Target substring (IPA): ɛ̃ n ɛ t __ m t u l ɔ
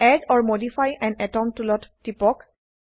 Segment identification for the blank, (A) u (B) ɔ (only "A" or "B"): B